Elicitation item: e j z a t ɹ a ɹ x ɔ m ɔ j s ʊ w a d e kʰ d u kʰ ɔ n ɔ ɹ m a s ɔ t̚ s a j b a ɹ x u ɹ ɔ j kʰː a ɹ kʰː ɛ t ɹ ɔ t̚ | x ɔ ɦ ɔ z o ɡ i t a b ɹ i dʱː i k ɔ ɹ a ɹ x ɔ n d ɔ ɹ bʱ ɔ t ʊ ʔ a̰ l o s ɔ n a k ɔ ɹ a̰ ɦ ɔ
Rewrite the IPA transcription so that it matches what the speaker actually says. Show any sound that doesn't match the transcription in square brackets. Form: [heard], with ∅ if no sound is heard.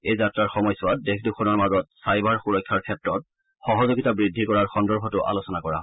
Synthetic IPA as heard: e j z a t ɹ a ɹ x ɔ m ɔ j s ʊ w a d e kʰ d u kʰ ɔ n ɔ ɹ m a [z] ɔ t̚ s a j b a ɹ x u ɹ ɔ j kʰː a ɹ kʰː ɛ t ɹ ɔ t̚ | x ɔ ɦ ɔ z o ɡ i t a b ɹ i dʱː i k ɔ ɹ a ɹ x ɔ n d ɔ ɹ bʱ ɔ t ʊ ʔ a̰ l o s ɔ n a k ɔ ɹ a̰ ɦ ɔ